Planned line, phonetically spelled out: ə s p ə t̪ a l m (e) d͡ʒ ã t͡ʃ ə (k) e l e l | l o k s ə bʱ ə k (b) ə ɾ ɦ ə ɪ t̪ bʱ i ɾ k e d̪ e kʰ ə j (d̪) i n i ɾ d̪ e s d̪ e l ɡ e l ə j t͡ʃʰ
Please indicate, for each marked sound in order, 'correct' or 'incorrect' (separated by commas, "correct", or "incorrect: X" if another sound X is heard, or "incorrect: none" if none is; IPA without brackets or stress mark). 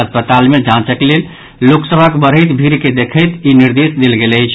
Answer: correct, correct, correct, incorrect: t̪